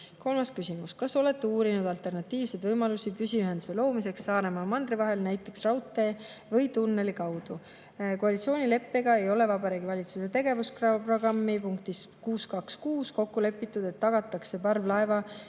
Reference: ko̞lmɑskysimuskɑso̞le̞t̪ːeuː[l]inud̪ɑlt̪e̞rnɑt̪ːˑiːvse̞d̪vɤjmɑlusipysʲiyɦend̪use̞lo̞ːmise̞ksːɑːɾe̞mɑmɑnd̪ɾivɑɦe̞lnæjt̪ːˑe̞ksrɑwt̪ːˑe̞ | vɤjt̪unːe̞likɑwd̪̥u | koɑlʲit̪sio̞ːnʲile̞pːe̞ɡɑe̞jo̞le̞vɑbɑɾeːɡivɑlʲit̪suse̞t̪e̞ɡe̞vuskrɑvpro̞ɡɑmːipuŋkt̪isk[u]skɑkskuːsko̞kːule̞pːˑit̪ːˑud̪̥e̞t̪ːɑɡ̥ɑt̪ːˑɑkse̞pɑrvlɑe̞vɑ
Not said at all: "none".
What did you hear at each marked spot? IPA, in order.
ɾ, uː

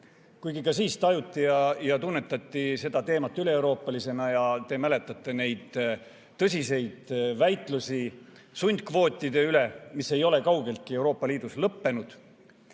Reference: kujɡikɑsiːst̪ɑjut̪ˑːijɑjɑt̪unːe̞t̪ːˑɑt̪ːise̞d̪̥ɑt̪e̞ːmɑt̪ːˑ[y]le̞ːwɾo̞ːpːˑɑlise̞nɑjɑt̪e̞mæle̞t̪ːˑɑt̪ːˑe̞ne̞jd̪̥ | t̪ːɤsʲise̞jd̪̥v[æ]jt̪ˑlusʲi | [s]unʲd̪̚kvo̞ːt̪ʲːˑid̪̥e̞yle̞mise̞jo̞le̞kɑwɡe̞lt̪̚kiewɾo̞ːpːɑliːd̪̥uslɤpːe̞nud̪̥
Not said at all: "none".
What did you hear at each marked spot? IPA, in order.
y, æ, s

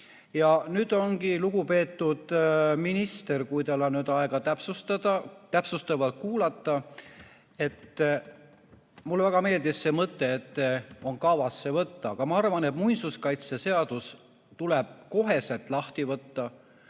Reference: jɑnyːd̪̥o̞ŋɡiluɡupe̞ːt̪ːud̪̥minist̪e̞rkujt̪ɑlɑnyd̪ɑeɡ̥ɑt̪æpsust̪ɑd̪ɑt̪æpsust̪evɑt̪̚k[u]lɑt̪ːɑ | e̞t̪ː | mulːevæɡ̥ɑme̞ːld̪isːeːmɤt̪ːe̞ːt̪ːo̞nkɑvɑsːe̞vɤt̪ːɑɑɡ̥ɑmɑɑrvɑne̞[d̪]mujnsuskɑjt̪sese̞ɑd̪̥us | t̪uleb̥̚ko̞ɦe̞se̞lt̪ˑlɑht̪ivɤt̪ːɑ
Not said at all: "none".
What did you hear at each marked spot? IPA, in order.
uː, t̪

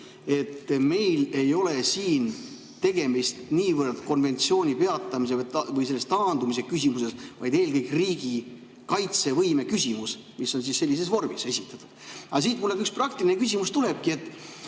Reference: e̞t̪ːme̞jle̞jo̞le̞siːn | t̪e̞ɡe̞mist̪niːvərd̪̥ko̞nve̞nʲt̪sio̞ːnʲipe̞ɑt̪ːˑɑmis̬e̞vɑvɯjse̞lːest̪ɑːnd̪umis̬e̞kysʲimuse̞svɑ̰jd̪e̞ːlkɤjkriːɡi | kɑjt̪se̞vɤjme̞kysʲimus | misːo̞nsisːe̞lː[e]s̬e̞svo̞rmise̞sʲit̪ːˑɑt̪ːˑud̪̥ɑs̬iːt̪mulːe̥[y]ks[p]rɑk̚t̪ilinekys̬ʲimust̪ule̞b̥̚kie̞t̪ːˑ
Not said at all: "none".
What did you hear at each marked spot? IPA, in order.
i, y, p

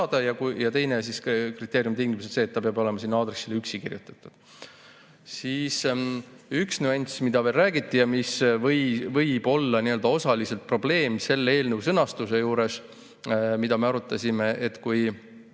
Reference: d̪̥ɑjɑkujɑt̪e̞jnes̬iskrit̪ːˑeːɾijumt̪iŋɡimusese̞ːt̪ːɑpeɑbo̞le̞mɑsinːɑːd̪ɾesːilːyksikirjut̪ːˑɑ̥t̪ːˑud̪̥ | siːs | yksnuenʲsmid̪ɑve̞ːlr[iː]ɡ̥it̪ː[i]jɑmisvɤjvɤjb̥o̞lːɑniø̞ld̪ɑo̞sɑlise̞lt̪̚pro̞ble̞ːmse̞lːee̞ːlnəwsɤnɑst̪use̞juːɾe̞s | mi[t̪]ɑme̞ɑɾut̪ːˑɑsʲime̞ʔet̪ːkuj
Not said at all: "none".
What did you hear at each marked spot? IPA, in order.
æː, i, d̪

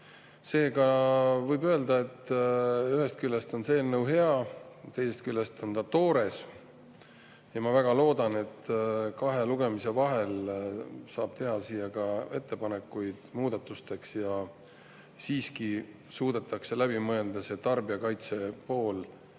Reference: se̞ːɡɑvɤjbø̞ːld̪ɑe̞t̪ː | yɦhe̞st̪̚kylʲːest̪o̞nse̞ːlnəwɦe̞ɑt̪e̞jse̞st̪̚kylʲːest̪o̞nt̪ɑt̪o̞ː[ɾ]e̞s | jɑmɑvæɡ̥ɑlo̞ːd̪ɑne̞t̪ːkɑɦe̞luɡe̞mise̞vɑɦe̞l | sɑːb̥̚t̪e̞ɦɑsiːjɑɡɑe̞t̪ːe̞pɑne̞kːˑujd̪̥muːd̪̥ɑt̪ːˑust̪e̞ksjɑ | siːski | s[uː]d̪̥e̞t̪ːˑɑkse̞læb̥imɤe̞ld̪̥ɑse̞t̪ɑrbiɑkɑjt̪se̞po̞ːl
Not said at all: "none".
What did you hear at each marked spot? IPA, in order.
ɾ, uː

